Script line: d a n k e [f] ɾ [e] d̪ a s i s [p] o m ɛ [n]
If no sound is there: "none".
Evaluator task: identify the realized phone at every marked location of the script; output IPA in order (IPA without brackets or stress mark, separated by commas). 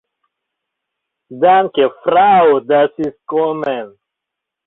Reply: f, a, k, n